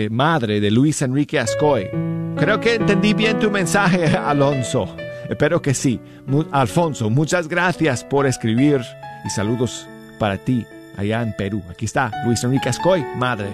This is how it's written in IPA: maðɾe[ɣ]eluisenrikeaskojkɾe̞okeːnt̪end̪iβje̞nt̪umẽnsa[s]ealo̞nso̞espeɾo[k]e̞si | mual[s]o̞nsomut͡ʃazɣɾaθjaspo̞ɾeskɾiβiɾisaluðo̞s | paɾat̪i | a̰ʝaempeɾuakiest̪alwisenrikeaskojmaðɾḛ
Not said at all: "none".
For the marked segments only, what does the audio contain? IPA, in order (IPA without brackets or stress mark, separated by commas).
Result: ð, x, k, f